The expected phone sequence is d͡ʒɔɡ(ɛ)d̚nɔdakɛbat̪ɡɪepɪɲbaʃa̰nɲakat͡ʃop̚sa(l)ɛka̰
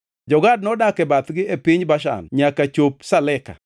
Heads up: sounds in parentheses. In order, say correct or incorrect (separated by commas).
incorrect, correct